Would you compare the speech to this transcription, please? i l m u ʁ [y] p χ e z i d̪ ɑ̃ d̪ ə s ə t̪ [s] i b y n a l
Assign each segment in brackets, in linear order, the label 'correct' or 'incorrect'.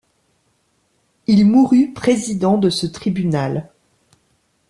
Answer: correct, incorrect: χ

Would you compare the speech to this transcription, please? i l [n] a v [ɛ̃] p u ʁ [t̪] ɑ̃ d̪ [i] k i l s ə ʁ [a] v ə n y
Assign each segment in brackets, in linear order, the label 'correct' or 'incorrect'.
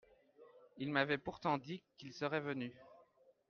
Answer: incorrect: m, incorrect: ɛ, correct, correct, incorrect: ɛ

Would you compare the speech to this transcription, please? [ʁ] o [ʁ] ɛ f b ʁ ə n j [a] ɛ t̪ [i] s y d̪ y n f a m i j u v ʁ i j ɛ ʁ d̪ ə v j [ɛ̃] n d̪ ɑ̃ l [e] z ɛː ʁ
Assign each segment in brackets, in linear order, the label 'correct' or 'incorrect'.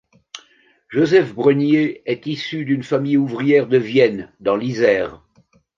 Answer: incorrect: ʒ, incorrect: z, incorrect: e, correct, incorrect: ɛ, incorrect: i

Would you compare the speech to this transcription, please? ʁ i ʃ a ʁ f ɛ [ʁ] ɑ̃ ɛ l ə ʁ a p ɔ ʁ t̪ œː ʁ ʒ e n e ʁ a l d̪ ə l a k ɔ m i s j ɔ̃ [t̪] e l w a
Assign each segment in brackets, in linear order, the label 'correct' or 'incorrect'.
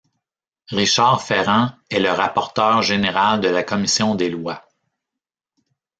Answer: correct, incorrect: d̪

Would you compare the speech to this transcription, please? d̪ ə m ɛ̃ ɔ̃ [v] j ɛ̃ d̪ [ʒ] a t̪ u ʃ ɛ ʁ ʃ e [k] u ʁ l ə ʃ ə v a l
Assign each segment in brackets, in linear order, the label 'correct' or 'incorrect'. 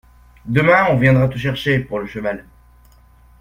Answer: correct, incorrect: ʁ, incorrect: p

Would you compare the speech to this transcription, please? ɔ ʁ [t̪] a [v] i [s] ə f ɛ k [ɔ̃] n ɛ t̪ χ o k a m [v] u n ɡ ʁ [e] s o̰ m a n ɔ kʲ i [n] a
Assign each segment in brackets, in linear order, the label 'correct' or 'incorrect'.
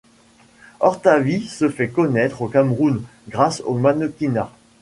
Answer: correct, correct, correct, incorrect: ɔ, incorrect: ʁ, incorrect: a, correct

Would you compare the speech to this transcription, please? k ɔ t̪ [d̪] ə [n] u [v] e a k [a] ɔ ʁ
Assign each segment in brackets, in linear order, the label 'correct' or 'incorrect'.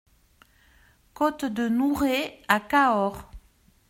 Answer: correct, correct, incorrect: ʁ, correct

